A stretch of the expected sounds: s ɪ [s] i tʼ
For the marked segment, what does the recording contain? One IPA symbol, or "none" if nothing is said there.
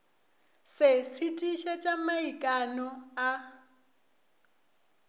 s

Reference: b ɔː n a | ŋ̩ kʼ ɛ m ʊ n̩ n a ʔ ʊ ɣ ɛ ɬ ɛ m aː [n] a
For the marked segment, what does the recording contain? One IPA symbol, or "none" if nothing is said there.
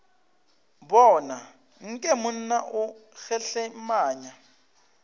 ɲ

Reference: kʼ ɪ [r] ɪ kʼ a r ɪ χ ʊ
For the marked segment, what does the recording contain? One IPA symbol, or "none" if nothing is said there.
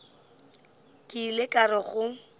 l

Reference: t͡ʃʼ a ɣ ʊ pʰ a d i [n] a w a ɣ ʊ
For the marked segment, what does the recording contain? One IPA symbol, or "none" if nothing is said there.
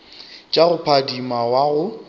m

